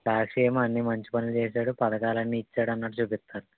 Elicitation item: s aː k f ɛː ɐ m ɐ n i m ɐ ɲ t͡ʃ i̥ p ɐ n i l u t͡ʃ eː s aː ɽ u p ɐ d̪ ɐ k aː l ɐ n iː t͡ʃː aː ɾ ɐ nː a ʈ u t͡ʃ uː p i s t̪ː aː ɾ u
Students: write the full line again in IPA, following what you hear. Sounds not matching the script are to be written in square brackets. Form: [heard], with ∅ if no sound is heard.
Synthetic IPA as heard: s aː k [ʂ] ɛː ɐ m ɐ [nː] i m ɐ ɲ t͡ʃ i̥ p ɐ n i l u t͡ʃ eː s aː ɽ u p ɐ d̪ ɐ k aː l ɐ [nː] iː t͡ʃː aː [ɽ] ɐ nː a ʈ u t͡ʃ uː p i s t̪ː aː ɾ u